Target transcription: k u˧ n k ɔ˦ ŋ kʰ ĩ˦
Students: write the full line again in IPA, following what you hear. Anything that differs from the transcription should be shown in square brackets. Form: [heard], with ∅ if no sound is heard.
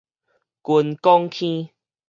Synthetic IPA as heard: k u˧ n k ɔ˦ ŋ kʰ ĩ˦